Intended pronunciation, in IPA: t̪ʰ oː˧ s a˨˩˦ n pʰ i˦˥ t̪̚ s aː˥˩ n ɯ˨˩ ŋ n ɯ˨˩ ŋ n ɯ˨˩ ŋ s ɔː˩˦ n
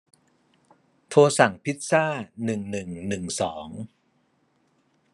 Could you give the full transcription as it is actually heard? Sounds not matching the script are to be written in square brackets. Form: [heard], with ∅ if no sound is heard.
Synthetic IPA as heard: t̪ʰ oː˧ s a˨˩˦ [ŋ] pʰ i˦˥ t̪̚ s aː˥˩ n ɯ˨˩ ŋ n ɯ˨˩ ŋ n ɯ˨˩ ŋ s ɔː˩˦ [ŋ]

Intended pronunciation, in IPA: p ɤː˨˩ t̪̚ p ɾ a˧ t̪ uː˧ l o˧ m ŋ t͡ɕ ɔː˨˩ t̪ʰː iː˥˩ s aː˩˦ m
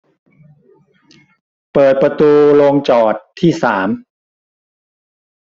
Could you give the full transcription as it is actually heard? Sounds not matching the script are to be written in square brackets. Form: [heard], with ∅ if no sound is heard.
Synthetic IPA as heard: p ɤː˨˩ t̪̚ p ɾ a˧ t̪ uː˧ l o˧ [∅] ŋ t͡ɕ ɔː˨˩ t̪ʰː iː˥˩ s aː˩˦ m

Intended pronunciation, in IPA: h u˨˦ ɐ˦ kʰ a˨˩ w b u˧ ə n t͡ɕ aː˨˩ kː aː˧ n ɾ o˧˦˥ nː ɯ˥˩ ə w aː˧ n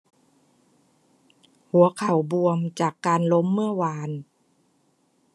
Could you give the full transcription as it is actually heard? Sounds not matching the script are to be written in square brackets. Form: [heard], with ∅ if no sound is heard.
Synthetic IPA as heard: h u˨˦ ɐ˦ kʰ a˨˩ w b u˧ ə [m] t͡ɕ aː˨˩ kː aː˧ n [l] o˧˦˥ [mː] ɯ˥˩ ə w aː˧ n

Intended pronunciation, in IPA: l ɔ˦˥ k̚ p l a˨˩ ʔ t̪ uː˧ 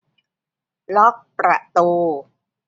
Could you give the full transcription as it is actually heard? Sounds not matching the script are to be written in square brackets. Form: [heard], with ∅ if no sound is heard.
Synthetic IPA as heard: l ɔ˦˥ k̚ p [ɾ] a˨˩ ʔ t̪ uː˧

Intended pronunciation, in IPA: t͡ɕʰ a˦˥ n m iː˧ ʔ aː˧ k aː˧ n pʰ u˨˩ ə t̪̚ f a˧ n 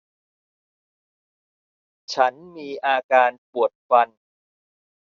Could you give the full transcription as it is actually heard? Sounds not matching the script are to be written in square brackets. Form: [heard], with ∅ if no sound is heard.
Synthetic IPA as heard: t͡ɕʰ a˦˥ n m iː˧ ʔ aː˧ k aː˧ n [p] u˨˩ ə t̪̚ f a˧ n

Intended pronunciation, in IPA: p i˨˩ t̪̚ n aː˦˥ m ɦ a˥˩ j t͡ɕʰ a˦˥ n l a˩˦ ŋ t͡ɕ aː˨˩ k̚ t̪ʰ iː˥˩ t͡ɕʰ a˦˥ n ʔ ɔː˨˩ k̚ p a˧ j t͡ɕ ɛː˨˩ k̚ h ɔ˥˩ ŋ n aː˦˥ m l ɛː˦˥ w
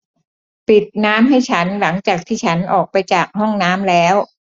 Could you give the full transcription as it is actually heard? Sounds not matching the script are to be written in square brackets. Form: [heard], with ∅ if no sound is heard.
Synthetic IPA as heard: p i˨˩ t̪̚ n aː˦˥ m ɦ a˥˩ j t͡ɕʰ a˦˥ n l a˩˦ ŋ t͡ɕ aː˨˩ k̚ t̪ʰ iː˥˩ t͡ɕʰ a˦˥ n ʔ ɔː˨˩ k̚ p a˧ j t͡ɕ [aː˨˩] k̚ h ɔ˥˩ ŋ n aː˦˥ m l ɛː˦˥ w

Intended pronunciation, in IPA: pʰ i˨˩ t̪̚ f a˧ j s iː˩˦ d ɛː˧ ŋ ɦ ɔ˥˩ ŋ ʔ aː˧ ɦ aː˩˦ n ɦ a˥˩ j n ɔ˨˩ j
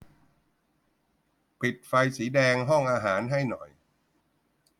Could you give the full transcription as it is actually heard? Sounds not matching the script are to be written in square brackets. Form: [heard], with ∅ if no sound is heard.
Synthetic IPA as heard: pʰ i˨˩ t̪̚ f a˧ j s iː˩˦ d ɛː˧ ŋ ɦ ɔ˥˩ ŋ ʔ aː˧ ɦ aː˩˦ n ɦ a˥˩ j n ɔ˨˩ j

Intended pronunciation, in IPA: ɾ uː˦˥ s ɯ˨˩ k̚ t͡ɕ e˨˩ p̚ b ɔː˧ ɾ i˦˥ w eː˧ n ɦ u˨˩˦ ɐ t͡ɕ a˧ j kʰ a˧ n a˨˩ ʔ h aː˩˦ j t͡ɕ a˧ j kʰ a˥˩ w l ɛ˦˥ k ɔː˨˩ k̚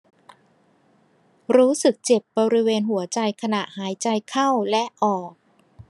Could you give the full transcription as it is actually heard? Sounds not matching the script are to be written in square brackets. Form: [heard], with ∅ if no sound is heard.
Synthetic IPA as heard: ɾ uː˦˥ s ɯ˨˩ k̚ t͡ɕ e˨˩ p̚ b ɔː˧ ɾ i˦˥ w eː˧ n ɦ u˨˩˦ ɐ t͡ɕ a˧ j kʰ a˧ n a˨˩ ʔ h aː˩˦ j t͡ɕ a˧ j kʰ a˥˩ w l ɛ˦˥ [ʔ] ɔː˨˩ k̚

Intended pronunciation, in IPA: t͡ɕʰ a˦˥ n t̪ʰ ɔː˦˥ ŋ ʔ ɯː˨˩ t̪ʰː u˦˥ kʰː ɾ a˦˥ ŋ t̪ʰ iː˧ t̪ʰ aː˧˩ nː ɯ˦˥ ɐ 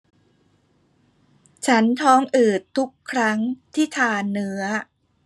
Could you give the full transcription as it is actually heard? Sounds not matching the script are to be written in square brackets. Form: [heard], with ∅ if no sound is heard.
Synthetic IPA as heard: t͡ɕʰ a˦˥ n t̪ʰ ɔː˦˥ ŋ ʔ ɯː˨˩ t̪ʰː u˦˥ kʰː ɾ a˦˥ ŋ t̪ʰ [iː˥˩] t̪ʰ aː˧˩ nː ɯ˦˥ ɐ

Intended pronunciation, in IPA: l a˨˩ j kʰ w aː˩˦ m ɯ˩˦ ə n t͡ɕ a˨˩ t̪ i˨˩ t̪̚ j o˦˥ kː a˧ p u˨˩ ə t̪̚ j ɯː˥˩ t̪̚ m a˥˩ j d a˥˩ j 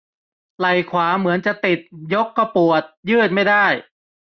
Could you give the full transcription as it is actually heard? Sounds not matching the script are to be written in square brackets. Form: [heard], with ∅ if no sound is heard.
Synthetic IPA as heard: l a˨˩ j kʰ w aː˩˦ m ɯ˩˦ ə n t͡ɕ a˨˩ t̪ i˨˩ t̪̚ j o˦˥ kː a˧ p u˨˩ ə t̪̚ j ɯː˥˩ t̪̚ m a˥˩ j d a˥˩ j

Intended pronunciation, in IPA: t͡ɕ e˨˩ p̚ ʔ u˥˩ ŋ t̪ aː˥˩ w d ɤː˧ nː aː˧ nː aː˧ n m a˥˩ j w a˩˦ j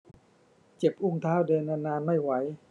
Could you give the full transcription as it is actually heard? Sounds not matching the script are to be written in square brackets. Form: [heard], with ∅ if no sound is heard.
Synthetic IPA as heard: t͡ɕ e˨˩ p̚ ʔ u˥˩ ŋ [t̪ʰ] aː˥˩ w d ɤː˧ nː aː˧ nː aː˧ n m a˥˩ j w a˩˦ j

